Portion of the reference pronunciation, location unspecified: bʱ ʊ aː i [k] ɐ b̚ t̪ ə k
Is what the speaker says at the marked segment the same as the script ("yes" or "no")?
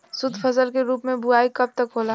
yes